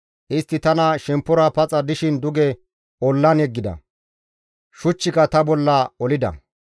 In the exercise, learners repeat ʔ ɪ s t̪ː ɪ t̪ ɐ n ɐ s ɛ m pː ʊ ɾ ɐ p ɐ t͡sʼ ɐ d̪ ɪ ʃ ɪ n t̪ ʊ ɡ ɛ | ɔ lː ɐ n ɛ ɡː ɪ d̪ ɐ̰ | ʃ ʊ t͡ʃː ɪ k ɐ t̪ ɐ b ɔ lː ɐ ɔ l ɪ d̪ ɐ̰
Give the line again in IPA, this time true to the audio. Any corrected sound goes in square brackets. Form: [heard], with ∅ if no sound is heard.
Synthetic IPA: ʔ ɪ s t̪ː ɪ t̪ ɐ n ɐ [ʃ] ɛ m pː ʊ ɾ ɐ p ɐ t͡sʼ ɐ d̪ ɪ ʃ ɪ n [d̪] ʊ ɡ ɛ | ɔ lː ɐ n ɛ ɡː ɪ d̪ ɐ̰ | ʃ ʊ t͡ʃː ɪ k ɐ t̪ ɐ b ɔ lː ɐ ɔ l ɪ d̪ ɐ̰